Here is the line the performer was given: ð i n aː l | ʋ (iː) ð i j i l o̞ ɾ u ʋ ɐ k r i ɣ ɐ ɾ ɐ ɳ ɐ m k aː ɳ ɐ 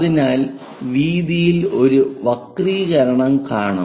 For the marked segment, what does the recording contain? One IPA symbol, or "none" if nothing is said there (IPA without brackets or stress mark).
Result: iː